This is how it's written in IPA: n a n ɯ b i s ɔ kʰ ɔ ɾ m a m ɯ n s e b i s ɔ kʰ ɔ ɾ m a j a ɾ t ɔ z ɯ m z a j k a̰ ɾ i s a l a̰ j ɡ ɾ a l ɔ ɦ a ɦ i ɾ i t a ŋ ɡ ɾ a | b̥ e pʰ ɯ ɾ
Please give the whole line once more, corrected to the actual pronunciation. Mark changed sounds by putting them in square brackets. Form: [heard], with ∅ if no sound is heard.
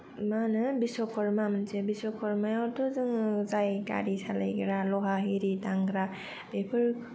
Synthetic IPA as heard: [m] a n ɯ b i s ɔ kʰ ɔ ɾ m a m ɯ n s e b i s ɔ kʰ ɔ ɾ m a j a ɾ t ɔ z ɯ [ŋ] z a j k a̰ ɾ i s a l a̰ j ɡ ɾ a l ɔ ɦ a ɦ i ɾ i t a ŋ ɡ ɾ a | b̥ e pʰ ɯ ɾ